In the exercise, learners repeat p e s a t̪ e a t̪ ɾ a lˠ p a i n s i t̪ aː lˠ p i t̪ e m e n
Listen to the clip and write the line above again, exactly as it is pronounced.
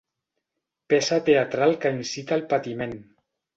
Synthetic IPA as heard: p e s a t̪ e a t̪ ɾ a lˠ k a i n s i t̪ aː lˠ p a t̪ i m e n